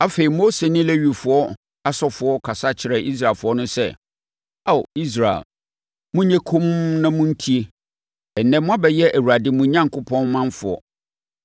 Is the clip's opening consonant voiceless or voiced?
voiceless